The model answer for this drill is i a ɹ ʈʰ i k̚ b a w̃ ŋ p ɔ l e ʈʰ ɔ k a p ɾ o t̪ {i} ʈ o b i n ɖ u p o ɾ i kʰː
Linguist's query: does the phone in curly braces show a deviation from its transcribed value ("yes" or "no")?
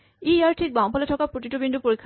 no